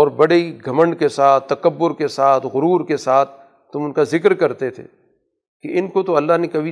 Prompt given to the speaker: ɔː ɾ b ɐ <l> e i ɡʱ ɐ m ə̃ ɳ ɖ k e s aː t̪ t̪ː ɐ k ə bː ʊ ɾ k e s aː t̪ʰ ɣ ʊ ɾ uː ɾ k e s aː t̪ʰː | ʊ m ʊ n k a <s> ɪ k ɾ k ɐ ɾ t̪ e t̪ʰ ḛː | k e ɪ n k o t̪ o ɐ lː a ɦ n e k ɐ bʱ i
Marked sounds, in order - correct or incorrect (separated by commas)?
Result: incorrect, incorrect